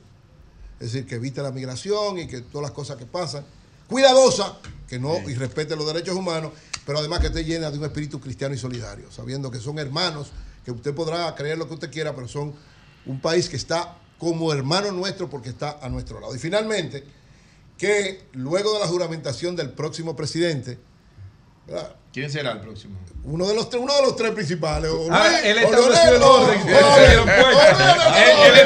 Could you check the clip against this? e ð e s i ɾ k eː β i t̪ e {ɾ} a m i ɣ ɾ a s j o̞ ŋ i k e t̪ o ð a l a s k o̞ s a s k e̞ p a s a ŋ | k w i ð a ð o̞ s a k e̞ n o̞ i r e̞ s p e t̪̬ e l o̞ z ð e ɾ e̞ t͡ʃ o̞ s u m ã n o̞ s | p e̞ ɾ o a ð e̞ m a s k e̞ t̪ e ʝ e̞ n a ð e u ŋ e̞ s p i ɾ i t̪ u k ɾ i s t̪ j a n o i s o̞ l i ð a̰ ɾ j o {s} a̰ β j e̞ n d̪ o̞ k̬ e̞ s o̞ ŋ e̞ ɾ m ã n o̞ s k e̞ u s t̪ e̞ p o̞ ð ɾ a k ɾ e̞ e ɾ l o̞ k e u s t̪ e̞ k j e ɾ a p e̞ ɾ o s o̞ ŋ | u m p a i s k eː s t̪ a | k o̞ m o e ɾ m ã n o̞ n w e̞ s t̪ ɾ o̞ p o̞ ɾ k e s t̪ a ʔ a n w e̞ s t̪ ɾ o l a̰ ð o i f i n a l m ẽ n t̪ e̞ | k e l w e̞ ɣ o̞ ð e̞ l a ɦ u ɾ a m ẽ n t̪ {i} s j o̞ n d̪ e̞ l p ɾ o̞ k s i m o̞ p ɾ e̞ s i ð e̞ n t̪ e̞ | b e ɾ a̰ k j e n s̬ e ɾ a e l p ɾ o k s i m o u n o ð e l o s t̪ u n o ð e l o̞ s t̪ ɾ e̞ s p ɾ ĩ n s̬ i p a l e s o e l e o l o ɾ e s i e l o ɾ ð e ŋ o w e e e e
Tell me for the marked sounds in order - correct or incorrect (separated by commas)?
incorrect, correct, incorrect